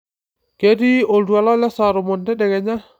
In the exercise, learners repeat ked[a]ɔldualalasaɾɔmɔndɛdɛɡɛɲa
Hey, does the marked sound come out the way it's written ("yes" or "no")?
no